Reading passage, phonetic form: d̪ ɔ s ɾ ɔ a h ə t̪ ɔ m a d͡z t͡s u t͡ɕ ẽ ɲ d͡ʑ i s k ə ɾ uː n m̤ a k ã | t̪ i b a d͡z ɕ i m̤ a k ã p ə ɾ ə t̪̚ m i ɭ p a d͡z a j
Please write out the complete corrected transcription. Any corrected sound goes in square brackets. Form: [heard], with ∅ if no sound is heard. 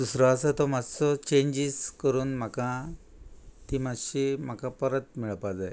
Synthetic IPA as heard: d̪ [u] s ɾ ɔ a [s] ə t̪ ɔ m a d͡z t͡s [ɔ] t͡ɕ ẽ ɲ d͡ʑ i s k ə ɾ uː n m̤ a k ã | t̪ i [m] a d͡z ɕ i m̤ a k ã p ə ɾ ə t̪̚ m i ɭ p a d͡z a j